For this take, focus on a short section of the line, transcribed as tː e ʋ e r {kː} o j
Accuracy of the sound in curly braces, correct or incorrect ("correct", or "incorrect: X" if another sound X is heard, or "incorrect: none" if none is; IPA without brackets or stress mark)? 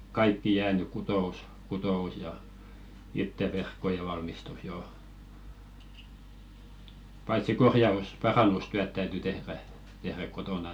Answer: correct